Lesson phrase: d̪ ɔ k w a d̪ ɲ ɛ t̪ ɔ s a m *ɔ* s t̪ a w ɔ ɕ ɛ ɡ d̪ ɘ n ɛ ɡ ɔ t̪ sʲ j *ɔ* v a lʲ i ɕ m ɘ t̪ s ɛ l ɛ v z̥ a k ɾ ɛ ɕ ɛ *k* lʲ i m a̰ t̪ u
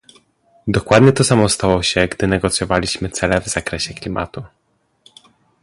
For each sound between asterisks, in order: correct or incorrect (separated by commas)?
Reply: correct, correct, correct